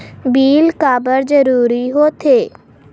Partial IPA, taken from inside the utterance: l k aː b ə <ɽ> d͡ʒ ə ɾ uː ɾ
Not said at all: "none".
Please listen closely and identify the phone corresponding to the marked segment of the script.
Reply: ɾ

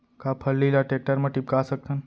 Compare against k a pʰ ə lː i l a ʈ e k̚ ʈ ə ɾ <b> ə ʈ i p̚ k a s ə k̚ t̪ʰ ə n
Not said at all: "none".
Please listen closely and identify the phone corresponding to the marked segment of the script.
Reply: m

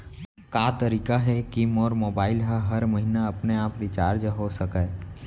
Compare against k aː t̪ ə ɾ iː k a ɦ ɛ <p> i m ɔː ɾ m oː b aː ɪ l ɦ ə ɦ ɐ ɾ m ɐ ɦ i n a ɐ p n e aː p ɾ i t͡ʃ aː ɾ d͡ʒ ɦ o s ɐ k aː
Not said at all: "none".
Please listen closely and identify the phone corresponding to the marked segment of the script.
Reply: k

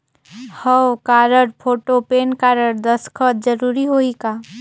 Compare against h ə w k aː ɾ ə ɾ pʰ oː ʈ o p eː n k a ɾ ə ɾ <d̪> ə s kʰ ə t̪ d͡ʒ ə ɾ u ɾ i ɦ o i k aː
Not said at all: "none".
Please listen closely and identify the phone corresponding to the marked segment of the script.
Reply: d̪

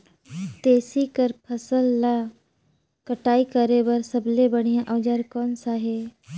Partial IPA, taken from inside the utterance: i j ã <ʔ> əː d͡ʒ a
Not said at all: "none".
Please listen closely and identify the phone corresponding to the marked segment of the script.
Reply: ʔ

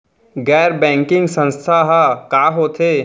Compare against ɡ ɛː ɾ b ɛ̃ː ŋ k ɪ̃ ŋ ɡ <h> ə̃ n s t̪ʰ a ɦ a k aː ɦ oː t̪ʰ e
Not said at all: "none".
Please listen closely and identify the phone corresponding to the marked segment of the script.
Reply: s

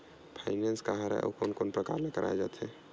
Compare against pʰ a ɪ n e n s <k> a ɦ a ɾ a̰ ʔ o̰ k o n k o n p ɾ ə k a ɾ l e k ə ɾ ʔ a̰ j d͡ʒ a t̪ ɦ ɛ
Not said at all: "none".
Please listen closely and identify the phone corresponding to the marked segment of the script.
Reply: k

